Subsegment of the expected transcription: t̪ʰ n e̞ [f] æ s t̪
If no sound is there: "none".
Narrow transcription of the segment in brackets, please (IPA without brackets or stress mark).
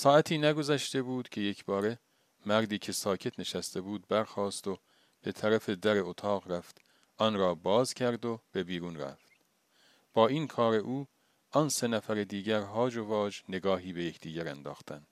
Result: ʃ